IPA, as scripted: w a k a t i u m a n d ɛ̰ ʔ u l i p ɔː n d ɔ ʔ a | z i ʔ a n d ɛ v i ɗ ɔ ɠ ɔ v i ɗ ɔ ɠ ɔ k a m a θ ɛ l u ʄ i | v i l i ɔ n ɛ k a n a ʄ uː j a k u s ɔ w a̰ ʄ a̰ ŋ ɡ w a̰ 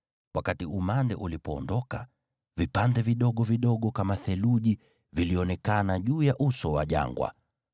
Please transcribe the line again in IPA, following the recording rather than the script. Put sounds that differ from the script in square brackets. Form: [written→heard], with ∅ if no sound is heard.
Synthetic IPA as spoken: w a k a t i u m a n d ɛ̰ ʔ u l i p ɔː n d ɔ [ʔ→k] a | [z→v] i [ʔ→p] a n d ɛ v i ɗ ɔ ɠ ɔ v i ɗ ɔ ɠ ɔ k a m a θ ɛ l u ʄ i | v i l i ɔ n ɛ k a n a ʄ uː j a [k→ʔ] u s ɔ w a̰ ʄ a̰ ŋ ɡ w a̰